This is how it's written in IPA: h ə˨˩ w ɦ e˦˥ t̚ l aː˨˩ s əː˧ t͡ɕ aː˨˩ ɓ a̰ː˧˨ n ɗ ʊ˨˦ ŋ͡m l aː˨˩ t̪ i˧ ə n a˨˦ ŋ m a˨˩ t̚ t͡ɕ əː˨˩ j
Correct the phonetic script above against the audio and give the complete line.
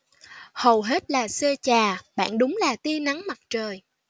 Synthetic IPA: h ə˨˩ w ɦ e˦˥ t̚ l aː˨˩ s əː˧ t͡ɕ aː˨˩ ɓ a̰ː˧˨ n ɗ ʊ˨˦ ŋ͡m l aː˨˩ t̪ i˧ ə n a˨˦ ŋ m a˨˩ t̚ t͡ɕ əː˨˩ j